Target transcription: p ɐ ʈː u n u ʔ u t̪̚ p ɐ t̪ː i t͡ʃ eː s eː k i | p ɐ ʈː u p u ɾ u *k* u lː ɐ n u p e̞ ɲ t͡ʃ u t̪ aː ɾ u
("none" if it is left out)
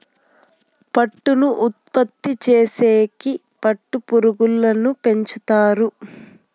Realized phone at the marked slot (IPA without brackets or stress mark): ɡ